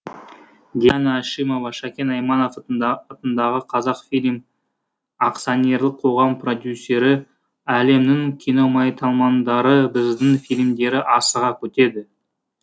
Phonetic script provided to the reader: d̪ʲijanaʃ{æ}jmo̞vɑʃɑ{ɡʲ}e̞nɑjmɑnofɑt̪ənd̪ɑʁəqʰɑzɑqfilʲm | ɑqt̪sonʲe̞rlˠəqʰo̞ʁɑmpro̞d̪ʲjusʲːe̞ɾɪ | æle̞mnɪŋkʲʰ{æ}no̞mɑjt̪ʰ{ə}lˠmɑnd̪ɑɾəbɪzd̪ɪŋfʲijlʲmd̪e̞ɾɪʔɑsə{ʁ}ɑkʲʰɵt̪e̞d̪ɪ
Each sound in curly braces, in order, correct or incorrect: incorrect: i, incorrect: kʲ, incorrect: i, incorrect: ɑ, correct

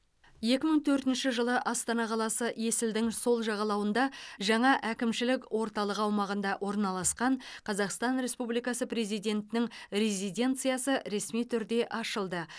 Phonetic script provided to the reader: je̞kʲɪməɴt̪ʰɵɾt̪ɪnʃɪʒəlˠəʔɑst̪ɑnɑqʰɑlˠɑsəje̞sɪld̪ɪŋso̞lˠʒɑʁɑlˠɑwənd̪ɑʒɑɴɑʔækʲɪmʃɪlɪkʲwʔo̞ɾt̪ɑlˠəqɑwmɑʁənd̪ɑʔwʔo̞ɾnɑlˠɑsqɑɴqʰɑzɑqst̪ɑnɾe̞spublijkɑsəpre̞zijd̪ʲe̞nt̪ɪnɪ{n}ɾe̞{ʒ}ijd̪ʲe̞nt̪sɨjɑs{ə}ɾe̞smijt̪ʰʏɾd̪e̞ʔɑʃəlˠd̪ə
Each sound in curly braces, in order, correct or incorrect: incorrect: ŋ, incorrect: z, correct

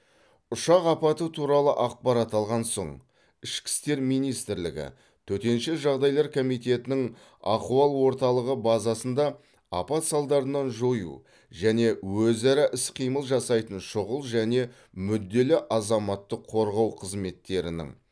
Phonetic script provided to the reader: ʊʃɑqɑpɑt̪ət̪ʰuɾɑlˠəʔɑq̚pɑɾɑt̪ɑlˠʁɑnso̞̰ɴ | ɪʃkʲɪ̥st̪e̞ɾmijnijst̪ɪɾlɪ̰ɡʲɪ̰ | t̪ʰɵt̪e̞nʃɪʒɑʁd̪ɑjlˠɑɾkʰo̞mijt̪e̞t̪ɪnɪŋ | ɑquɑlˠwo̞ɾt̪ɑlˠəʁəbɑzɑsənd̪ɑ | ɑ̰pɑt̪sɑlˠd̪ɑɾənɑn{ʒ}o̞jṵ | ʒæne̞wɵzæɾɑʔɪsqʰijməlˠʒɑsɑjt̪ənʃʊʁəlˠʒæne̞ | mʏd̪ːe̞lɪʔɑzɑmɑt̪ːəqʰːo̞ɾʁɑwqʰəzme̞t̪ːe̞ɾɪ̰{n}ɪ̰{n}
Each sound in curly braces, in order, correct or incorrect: correct, correct, incorrect: ŋ

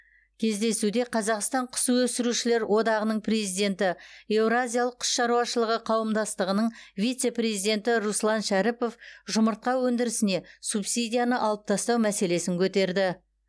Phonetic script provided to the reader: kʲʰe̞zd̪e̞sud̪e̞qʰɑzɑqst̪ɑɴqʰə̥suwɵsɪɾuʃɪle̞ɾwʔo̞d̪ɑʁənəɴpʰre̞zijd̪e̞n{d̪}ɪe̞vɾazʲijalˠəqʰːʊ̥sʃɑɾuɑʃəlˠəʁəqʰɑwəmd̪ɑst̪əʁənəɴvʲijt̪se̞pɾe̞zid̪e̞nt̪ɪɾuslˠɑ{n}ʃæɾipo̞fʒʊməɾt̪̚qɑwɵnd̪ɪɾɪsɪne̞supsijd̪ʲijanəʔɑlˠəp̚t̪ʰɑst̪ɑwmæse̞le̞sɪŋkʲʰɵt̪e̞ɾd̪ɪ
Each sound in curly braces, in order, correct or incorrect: incorrect: t̪, correct

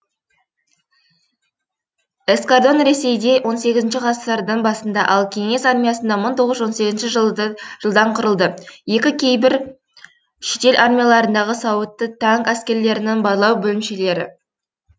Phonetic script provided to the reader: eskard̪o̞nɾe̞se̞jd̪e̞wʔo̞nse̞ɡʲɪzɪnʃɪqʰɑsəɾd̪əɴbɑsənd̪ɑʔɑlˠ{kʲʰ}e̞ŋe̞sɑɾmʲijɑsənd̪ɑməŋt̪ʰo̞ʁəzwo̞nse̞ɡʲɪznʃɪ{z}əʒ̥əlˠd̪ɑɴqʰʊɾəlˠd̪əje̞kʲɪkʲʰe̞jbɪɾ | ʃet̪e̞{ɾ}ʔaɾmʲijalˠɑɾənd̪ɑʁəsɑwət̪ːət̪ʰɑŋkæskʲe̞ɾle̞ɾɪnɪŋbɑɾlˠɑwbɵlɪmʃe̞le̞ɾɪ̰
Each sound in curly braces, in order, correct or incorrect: correct, incorrect: ʒ, incorrect: l

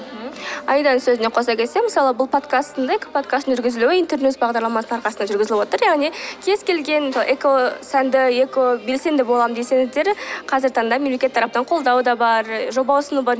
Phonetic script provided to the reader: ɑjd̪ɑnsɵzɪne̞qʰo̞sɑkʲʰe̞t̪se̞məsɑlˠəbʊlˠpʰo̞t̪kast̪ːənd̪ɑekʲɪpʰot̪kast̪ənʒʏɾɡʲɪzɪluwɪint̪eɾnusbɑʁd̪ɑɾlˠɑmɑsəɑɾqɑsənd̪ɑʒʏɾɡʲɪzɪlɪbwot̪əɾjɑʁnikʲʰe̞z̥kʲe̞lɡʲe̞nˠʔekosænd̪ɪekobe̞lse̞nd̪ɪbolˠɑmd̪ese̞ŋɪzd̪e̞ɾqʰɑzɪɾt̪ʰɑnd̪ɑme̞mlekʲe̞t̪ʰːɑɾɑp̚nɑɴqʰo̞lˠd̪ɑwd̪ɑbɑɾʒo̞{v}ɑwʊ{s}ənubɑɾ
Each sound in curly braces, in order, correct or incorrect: incorrect: b, correct

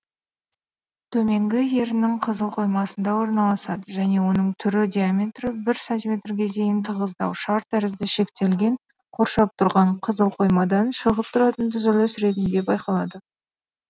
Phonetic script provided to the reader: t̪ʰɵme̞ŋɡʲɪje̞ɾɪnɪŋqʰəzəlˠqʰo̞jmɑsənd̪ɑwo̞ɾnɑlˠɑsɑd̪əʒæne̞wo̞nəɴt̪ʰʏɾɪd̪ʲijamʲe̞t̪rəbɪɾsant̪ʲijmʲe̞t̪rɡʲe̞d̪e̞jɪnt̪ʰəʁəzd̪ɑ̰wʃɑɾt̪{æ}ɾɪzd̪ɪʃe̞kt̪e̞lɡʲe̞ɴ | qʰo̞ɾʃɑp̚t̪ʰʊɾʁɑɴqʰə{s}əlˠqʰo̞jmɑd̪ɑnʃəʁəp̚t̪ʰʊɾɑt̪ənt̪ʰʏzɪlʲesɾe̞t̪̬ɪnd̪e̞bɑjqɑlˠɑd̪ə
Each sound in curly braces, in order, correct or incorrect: correct, incorrect: z

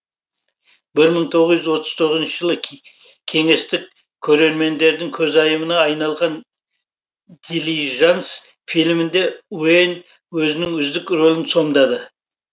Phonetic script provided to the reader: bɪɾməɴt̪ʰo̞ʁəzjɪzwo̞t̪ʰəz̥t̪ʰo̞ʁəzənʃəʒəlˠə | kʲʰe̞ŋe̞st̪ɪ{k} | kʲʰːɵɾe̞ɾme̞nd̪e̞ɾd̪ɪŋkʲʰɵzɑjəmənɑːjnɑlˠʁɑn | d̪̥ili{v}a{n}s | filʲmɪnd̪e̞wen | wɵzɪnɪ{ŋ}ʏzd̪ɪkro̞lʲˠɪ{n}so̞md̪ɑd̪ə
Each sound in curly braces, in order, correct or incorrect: correct, incorrect: ʒ, correct, correct, correct

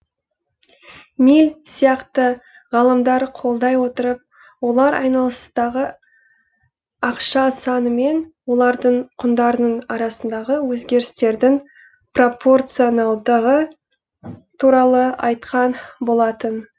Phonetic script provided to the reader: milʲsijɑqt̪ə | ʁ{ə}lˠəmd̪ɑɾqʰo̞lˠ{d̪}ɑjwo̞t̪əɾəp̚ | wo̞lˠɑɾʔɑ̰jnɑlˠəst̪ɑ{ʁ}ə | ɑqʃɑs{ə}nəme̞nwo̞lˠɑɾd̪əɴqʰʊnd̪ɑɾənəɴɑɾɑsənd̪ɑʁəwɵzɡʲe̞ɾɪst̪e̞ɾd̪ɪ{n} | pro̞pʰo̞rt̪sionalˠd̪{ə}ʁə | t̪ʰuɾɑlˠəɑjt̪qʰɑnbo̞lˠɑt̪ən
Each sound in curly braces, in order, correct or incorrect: incorrect: ɑ, correct, correct, incorrect: ɑ, incorrect: ŋ, correct

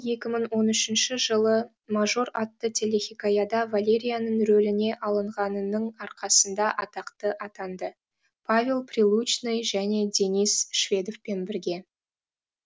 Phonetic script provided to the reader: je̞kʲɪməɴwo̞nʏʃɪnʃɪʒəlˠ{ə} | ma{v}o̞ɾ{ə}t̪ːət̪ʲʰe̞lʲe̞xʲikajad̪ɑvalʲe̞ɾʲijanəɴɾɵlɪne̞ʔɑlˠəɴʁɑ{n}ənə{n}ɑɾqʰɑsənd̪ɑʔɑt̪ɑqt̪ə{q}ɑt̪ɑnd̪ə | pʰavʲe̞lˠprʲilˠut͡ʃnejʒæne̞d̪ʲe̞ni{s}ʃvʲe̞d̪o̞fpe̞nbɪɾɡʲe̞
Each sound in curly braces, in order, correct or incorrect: correct, incorrect: ʒ, incorrect: ɑ, correct, incorrect: ɴ, incorrect: ʔ, correct

